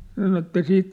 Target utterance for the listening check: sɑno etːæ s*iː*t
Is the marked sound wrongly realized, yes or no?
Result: no